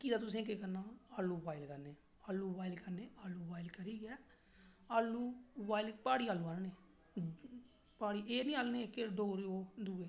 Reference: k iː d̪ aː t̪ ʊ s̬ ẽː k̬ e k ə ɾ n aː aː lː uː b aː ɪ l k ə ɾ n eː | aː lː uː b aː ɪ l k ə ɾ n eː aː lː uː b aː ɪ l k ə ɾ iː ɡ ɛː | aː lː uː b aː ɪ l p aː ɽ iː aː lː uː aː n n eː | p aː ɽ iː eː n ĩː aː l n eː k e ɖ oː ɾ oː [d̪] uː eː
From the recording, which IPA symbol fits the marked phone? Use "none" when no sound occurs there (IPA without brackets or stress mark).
d̪